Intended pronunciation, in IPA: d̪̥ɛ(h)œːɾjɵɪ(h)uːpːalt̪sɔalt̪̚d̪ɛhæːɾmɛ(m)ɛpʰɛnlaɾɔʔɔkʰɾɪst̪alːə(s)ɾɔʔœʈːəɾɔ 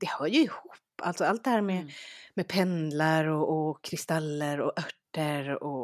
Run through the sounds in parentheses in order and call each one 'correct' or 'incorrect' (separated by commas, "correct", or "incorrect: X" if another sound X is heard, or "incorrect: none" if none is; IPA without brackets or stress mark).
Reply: correct, correct, correct, incorrect: none